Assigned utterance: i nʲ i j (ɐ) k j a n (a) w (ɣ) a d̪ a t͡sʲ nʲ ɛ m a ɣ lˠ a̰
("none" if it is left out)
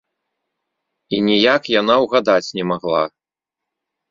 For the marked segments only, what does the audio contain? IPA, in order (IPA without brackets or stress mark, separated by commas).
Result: a, a, ɣ